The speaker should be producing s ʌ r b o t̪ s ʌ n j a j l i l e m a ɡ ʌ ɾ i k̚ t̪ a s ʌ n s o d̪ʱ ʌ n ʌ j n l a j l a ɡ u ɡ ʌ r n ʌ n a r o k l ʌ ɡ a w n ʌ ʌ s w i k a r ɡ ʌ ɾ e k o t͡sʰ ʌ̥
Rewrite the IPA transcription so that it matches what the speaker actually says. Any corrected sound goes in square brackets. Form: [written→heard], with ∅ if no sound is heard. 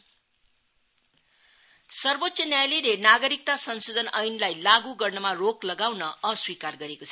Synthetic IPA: s ʌ r b o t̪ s ʌ n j a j l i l e [m→n] a ɡ ʌ ɾ i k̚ t̪ a s ʌ n s o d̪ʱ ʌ n ʌ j n l a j l a ɡ u ɡ ʌ r n ʌ [n→m] a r o k l ʌ ɡ a w n ʌ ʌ s w i k a r ɡ ʌ ɾ e k o t͡sʰ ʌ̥